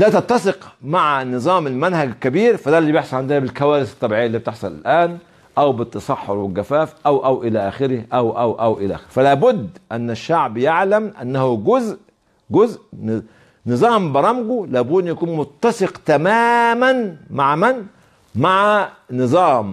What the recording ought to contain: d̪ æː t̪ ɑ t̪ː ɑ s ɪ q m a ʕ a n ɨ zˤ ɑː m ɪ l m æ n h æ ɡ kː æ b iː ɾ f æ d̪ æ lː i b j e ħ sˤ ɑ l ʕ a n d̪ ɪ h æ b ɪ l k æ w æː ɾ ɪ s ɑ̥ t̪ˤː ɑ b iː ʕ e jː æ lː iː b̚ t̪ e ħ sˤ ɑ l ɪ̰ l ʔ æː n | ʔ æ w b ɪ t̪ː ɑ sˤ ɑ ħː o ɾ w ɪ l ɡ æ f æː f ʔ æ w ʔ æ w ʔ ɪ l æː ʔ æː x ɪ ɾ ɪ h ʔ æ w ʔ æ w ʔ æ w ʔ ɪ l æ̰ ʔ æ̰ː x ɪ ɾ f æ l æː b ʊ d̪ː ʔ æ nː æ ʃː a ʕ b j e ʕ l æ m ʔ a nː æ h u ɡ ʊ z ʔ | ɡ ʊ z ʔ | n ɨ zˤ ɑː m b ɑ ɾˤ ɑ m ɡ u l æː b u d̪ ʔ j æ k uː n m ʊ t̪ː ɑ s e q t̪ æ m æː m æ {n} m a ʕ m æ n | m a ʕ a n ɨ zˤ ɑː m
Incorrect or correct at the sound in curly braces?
correct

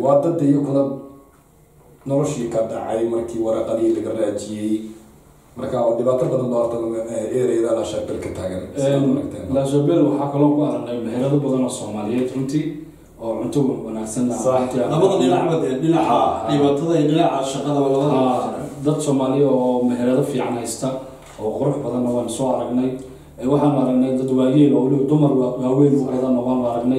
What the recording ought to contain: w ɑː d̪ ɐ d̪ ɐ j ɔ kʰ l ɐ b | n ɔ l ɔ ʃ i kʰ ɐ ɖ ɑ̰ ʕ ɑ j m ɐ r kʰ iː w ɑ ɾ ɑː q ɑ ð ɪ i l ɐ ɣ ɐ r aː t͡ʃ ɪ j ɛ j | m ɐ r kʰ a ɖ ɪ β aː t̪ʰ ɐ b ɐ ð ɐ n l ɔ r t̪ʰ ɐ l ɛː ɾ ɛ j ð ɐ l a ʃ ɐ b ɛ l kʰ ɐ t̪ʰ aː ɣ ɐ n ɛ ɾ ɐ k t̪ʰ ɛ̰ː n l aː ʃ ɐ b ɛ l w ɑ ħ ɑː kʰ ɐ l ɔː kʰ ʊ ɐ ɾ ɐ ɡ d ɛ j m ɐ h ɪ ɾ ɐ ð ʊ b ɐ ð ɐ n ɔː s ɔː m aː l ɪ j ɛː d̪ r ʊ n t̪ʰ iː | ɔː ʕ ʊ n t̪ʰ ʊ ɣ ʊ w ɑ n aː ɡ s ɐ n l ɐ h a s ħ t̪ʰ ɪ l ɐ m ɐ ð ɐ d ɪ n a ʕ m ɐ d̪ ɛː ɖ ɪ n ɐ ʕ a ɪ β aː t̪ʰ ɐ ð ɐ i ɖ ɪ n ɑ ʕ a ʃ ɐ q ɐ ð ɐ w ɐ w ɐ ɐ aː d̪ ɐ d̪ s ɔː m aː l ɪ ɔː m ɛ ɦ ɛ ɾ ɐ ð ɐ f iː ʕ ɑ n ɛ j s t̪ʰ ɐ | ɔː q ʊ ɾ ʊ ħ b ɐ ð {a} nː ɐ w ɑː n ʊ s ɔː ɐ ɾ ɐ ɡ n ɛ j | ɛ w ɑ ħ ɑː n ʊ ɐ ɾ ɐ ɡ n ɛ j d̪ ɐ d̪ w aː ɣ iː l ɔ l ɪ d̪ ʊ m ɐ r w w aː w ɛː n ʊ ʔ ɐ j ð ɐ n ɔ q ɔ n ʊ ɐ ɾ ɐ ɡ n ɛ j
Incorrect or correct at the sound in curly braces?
incorrect: ɐ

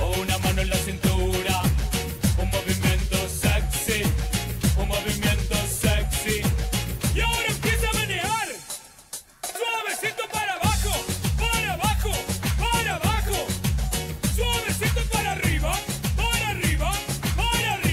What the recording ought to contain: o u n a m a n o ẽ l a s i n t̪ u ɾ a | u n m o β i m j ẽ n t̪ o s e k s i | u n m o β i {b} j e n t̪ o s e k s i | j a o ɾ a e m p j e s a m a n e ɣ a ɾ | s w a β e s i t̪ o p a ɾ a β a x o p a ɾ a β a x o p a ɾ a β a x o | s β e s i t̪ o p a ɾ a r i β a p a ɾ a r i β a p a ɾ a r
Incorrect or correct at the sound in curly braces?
incorrect: m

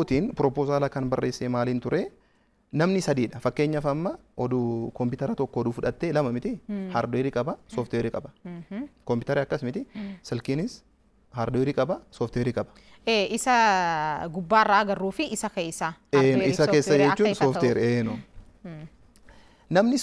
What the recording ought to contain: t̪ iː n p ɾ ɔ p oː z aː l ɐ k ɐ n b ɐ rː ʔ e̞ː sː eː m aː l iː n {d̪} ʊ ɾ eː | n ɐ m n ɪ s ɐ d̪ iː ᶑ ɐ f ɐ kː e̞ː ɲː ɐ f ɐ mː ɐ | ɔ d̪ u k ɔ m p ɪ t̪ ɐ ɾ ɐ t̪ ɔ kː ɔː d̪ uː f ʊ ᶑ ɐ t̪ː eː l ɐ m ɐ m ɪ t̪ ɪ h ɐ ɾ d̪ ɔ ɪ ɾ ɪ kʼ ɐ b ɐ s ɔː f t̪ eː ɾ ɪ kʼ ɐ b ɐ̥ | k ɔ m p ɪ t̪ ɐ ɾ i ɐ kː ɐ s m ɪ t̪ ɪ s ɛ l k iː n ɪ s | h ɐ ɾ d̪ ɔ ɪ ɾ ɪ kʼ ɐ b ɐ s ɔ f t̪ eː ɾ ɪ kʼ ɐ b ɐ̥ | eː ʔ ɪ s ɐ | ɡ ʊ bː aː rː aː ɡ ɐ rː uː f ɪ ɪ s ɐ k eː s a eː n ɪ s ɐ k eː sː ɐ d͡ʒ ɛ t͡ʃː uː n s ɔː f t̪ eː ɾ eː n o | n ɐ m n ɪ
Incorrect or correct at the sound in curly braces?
incorrect: t̪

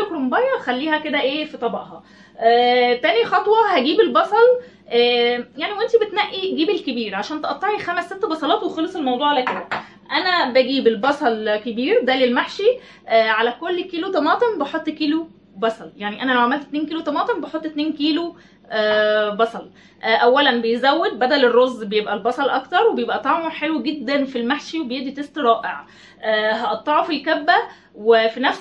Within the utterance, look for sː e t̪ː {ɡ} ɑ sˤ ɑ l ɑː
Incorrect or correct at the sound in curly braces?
incorrect: b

